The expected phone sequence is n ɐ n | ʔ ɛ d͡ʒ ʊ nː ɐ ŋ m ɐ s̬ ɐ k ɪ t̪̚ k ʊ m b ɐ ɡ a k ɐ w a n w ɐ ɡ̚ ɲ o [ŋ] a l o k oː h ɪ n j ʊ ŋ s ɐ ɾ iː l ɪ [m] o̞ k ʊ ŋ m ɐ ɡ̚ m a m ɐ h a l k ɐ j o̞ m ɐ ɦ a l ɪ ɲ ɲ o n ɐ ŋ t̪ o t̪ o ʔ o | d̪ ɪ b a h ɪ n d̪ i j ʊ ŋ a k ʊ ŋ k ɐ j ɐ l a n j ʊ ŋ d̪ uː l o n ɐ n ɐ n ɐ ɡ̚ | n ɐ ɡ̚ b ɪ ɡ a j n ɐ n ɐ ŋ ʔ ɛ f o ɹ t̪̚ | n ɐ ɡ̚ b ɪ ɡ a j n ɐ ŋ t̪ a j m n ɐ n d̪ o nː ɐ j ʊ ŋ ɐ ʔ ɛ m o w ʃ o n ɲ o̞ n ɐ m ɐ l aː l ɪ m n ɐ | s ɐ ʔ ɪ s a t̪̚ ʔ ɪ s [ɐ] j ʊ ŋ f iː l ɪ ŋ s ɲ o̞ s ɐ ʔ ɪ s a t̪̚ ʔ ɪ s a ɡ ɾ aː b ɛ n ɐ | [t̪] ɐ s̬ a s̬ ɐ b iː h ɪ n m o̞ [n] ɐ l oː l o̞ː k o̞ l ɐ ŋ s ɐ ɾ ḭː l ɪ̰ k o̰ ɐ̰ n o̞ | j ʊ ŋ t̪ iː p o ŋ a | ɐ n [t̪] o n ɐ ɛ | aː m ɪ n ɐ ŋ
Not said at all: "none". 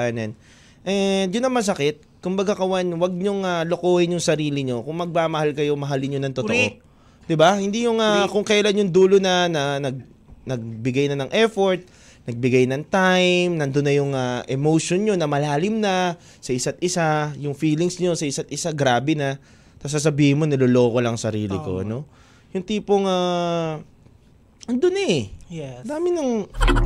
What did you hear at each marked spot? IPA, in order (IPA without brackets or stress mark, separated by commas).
ŋ, ɲ, a, t̪, n, d̪